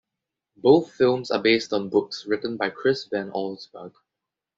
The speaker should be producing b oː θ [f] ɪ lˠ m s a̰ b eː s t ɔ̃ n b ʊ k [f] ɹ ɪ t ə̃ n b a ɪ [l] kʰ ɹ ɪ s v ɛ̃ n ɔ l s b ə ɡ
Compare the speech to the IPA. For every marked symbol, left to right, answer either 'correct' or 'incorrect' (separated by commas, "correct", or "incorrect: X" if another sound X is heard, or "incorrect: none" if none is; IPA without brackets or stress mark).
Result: correct, incorrect: s, incorrect: none